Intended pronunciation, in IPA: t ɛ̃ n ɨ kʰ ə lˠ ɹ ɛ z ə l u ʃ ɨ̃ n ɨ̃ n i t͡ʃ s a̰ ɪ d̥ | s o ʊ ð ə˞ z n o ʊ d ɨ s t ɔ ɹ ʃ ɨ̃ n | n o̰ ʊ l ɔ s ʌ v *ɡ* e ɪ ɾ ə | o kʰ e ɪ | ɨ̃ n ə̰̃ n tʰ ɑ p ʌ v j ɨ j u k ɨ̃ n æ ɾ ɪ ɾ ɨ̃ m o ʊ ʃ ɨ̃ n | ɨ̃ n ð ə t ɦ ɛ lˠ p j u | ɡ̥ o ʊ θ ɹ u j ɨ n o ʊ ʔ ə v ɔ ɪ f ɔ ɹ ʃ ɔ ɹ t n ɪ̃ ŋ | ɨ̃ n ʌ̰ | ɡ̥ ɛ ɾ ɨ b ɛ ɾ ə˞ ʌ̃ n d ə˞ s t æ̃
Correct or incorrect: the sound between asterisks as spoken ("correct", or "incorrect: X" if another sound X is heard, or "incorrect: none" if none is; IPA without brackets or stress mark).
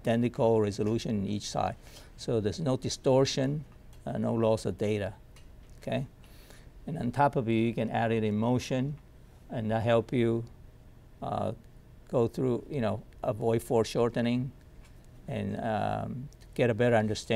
incorrect: d